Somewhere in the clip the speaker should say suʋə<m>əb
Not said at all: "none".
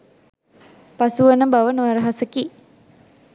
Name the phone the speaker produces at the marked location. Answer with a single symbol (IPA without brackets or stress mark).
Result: n